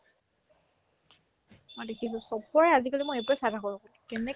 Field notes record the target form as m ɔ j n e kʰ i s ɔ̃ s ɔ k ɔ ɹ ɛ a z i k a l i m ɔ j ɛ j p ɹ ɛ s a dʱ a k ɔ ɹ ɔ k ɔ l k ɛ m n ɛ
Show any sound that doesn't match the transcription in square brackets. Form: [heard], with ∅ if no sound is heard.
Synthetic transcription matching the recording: m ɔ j [d] e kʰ i s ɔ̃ s ɔ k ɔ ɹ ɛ a z i k a l i m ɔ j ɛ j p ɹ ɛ s a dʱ a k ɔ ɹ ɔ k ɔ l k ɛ [∅] n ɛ